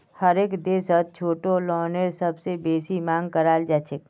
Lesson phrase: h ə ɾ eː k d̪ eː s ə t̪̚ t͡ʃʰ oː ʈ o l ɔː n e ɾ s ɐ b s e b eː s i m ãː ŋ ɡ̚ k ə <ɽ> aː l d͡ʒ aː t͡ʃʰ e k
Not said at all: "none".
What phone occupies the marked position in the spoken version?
ɾ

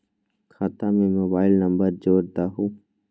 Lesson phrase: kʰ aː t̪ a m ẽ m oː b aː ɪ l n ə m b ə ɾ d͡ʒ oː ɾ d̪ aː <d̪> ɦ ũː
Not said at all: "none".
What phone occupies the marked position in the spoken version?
none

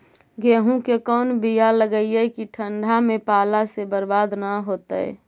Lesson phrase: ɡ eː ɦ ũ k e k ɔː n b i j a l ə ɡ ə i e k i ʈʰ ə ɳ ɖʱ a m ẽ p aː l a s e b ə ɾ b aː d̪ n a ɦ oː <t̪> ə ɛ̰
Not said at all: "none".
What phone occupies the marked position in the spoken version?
t̪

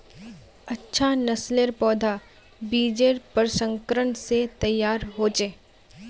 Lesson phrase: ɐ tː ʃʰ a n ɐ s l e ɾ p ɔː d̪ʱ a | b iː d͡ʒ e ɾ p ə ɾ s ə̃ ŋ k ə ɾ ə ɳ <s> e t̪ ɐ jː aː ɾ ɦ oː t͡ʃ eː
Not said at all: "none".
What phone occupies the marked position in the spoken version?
s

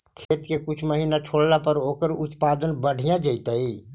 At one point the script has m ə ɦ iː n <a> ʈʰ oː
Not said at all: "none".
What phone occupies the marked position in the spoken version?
a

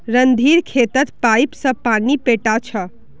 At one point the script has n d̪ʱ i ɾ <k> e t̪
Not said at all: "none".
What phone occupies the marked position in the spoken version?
kʰ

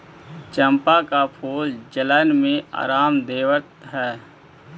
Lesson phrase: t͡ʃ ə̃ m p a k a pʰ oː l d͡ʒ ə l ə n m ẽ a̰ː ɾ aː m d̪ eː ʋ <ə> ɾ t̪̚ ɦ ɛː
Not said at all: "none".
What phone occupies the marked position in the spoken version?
ə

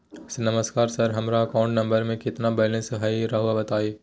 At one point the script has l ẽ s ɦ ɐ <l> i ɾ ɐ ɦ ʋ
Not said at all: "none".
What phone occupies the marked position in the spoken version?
none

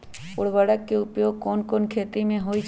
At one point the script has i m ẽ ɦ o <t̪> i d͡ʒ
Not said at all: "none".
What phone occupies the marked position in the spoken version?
none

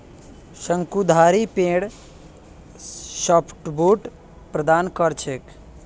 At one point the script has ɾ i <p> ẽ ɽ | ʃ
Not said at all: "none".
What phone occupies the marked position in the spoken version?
p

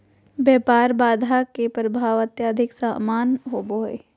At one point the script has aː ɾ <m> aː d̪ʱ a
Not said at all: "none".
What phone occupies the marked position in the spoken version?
b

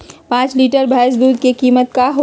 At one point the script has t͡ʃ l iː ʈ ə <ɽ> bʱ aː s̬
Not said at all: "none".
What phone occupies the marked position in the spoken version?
ɾ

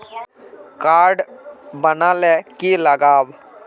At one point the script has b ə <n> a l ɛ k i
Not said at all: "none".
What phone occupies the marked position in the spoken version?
n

